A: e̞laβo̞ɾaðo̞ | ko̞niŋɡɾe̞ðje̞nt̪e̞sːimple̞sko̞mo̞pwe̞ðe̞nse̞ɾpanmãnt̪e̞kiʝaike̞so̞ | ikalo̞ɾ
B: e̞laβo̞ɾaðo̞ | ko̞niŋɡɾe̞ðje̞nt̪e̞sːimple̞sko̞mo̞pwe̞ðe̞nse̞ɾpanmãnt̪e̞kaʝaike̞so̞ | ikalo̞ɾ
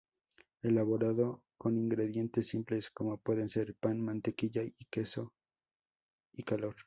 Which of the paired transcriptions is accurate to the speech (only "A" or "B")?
A